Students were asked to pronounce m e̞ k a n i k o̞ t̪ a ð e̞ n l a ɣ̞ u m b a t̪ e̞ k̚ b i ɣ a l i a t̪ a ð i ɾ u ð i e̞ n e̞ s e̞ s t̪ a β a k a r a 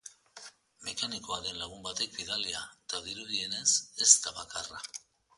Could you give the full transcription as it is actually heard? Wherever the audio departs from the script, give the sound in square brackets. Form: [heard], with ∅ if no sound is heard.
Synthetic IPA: m e̞ k a n i k o̞ [∅] a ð e̞ n l a ɣ̞ u m b a t̪ e̞ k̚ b i [ð] a l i a t̪ a ð i ɾ u ð i e̞ n e̞ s e̞ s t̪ a β a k a r a